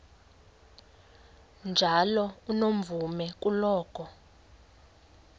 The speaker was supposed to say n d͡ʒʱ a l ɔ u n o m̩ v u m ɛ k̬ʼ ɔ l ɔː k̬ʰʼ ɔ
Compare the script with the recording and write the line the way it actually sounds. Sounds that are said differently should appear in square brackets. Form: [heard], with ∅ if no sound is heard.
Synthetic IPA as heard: n d͡ʒʱ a l ɔ u n o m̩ v u m ɛ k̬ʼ [u] l ɔː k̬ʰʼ ɔ